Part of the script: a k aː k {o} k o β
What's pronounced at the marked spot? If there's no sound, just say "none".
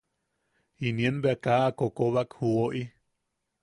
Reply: o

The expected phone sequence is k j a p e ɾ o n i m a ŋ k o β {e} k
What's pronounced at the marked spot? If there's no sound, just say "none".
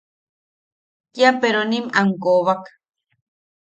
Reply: a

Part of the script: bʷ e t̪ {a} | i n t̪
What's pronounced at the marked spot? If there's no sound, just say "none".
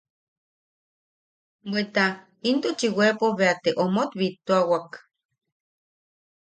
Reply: a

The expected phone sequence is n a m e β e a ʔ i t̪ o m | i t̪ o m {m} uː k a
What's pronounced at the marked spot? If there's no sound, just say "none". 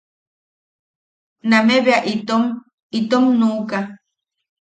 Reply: n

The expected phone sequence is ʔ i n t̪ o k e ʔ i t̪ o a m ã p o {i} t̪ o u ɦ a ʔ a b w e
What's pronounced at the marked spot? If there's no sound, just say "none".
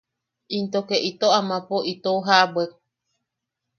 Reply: i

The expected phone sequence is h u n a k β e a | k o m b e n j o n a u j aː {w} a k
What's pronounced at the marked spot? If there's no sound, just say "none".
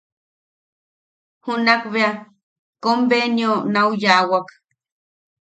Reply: w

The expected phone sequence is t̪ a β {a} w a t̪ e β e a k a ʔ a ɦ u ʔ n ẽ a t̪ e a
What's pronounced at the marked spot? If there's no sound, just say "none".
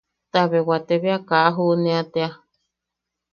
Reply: e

